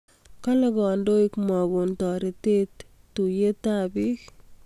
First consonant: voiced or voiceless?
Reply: voiceless